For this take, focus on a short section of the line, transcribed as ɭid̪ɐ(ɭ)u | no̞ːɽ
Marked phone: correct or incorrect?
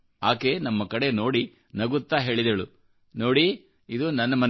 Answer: correct